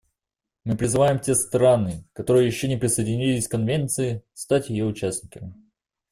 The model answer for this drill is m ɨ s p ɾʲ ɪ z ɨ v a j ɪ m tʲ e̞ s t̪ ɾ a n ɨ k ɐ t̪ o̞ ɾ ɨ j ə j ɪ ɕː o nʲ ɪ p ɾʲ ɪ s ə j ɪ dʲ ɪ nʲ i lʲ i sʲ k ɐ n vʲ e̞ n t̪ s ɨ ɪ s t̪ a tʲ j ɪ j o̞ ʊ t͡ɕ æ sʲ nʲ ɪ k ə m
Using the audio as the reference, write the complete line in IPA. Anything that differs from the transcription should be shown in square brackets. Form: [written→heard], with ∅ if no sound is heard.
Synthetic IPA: m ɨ [s→∅] p ɾʲ ɪ z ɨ v a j ɪ m tʲ e̞ s t̪ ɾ a n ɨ k ɐ t̪ o̞ ɾ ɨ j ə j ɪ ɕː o nʲ ɪ p ɾʲ ɪ s ə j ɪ dʲ ɪ nʲ i lʲ [i→ɪ] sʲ k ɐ n vʲ e̞ n t̪ s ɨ ɪ s t̪ a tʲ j ɪ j o̞ ʊ t͡ɕ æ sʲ nʲ ɪ k ə m